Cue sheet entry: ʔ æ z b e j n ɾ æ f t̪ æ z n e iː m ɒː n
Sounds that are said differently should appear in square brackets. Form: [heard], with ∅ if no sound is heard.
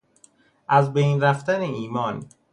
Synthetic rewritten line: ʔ æ z b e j n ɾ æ f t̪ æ [∅] n e iː m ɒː n

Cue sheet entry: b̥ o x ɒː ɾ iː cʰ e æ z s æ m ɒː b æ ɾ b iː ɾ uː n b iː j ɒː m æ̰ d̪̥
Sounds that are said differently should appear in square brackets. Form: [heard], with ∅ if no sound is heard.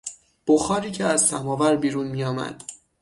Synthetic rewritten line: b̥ o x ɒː ɾ iː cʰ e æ z s æ m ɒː [v] æ ɾ b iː ɾ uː n [m] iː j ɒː m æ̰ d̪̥

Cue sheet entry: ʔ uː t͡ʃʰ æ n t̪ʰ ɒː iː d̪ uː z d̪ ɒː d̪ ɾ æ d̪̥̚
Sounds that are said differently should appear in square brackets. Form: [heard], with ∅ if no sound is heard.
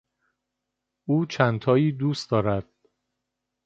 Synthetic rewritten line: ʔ uː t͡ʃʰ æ n t̪ʰ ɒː iː d̪ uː [s] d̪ ɒː [∅] ɾ æ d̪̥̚

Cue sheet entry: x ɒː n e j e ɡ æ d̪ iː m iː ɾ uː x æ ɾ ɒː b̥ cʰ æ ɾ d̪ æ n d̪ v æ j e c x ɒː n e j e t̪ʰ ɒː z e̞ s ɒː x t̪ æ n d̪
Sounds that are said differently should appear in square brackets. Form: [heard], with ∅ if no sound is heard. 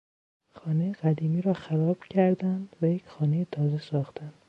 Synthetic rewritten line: x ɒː n e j e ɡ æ d̪ iː m iː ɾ [ɒː] x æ ɾ ɒː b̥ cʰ æ ɾ d̪ æ n d̪ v æ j e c x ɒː n e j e t̪ʰ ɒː z e̞ s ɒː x t̪ æ n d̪

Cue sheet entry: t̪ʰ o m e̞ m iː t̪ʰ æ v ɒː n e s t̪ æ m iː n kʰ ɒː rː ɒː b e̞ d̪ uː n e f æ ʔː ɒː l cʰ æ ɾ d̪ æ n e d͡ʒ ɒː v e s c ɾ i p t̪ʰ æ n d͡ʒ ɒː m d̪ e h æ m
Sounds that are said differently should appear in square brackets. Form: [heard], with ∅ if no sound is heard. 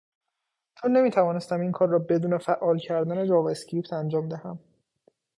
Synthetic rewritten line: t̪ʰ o [n] e̞ m iː t̪ʰ æ v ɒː n e s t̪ æ m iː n kʰ ɒː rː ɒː b e̞ d̪ uː n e f æ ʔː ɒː l cʰ æ ɾ d̪ æ n e d͡ʒ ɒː v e s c ɾ i p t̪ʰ æ n d͡ʒ ɒː m d̪ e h æ m

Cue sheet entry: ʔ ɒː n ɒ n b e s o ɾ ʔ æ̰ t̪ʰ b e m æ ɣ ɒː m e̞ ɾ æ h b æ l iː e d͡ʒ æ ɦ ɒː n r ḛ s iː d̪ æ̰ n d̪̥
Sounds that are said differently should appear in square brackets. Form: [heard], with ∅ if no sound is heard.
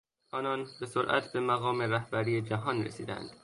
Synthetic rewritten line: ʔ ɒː n ɒ n b e s o ɾ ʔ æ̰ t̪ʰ b e m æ ɣ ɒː m e̞ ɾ æ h b æ [ɾ] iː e d͡ʒ æ ɦ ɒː n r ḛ s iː d̪ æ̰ n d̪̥

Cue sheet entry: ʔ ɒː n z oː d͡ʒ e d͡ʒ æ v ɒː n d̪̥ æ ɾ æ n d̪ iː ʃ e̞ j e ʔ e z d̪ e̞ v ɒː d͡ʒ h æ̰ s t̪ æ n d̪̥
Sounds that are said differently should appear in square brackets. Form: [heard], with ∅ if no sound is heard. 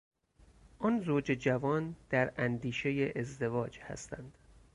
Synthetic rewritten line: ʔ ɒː n z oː d͡ʒ e d͡ʒ æ v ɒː n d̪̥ æ ɾ æ n d̪ iː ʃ e̞ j e ʔ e z d̪ e̞ v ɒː d͡ʒ h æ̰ s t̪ æ n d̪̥

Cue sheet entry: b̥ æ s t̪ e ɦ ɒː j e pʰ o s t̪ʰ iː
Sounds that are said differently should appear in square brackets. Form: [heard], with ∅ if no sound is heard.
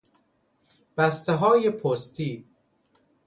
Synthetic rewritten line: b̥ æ s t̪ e ɦ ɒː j e pʰ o s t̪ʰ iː

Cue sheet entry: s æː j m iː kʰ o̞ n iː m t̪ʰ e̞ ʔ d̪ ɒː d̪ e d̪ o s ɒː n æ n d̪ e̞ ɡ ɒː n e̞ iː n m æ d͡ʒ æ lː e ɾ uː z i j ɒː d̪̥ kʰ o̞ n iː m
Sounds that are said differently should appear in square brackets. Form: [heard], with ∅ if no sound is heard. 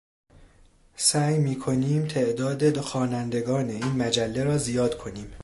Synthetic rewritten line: s æː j m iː kʰ o̞ n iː m t̪ʰ e̞ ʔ d̪ ɒː d̪ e d̪ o [x] ɒː n æ n d̪ e̞ ɡ ɒː n e̞ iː n m æ d͡ʒ æ lː e ɾ [ɒː] z i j ɒː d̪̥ kʰ o̞ n iː m

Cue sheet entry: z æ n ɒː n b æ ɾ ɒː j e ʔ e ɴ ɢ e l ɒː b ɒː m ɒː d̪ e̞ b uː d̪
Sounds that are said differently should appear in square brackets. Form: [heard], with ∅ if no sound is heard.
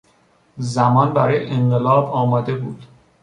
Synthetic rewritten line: z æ [m] ɒː n b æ ɾ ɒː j e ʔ e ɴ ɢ e l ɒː b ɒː m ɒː d̪ e̞ b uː d̪

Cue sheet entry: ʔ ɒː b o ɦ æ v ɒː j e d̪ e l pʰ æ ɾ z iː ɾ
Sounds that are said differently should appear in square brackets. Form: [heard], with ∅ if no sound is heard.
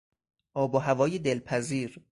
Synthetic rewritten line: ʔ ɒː b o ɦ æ v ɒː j e d̪ e l pʰ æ [∅] z iː ɾ

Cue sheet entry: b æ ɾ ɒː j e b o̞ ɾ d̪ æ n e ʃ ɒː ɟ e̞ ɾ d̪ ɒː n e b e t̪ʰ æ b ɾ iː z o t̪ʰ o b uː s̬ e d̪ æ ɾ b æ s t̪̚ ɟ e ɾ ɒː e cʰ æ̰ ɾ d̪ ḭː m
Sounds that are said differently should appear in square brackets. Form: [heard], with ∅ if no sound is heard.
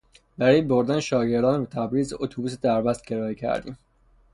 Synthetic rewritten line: b æ ɾ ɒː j e b o̞ ɾ d̪ æ n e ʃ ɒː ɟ e̞ ɾ d̪ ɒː n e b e t̪ʰ æ b ɾ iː z o t̪ʰ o b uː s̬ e d̪ æ ɾ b æ s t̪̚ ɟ e ɾ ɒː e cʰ æ̰ ɾ d̪ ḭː m

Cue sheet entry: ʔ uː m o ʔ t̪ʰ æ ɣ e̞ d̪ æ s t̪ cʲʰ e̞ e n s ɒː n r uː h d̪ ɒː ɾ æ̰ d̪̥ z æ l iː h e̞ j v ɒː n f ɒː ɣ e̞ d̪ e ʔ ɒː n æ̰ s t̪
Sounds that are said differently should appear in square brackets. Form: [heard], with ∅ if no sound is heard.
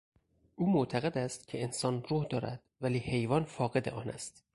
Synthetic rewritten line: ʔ uː m o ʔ t̪ʰ æ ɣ e̞ d̪ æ s t̪ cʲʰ e̞ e n s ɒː n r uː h d̪ ɒː ɾ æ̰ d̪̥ [v] æ l iː h e̞ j v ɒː n f ɒː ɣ e̞ d̪ e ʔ ɒː n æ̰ s t̪

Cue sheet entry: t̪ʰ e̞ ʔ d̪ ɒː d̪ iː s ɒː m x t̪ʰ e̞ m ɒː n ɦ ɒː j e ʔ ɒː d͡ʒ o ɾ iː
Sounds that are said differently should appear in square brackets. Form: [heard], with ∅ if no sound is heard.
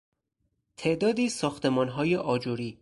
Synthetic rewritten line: t̪ʰ e̞ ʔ d̪ ɒː d̪ iː s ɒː [∅] x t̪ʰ e̞ m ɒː n ɦ ɒː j e ʔ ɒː d͡ʒ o ɾ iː

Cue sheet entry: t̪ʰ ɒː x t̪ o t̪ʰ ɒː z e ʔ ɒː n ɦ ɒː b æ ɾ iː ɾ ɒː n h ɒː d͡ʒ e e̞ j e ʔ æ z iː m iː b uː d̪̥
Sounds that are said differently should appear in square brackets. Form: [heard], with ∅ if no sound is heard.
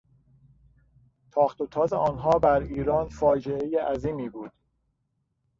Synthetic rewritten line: t̪ʰ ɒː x t̪ o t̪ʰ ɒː z e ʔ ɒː n ɦ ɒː b æ ɾ iː ɾ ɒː n [f] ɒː d͡ʒ e e̞ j e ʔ æ z iː m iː b uː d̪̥

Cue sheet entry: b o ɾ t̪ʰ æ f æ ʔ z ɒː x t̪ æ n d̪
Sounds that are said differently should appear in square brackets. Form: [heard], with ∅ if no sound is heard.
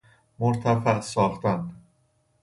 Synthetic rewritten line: [m] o ɾ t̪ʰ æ f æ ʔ [s] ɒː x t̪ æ n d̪

